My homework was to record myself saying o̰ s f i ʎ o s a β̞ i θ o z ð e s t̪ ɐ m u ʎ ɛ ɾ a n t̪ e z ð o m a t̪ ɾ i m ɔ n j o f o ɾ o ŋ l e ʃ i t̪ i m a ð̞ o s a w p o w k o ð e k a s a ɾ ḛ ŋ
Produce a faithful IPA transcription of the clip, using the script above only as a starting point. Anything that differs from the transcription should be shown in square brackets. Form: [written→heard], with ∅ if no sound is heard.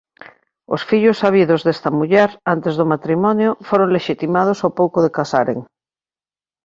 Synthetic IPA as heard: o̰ s f i ʎ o s a β̞ i [θ→ð] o z ð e s t̪ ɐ m u ʎ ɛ ɾ a n t̪ e z ð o m a t̪ ɾ i m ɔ n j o f o ɾ o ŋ l e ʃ i t̪ i m a ð̞ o s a w p o w k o ð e k a s a ɾ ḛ ŋ